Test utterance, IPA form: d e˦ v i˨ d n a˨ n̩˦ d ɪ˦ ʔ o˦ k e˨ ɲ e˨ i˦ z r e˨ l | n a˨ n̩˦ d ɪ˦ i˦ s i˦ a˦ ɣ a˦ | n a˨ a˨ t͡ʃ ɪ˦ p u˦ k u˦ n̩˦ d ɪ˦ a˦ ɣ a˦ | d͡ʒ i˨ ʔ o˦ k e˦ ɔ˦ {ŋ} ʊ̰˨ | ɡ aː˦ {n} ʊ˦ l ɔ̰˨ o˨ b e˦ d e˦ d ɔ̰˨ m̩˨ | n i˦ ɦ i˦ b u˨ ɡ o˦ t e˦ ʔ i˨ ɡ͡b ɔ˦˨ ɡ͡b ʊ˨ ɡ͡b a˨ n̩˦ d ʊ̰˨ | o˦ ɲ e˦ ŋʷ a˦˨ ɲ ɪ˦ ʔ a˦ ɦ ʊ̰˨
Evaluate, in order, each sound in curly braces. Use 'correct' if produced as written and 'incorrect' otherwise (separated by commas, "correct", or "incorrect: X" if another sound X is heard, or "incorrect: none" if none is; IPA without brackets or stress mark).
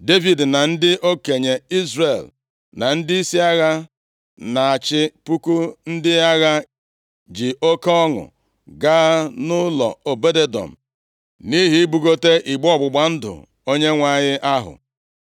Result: correct, correct